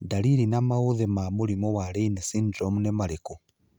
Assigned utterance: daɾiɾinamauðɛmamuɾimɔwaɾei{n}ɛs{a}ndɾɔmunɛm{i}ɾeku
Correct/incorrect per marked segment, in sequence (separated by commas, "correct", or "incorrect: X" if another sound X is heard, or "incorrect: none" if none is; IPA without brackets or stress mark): correct, incorrect: i, incorrect: a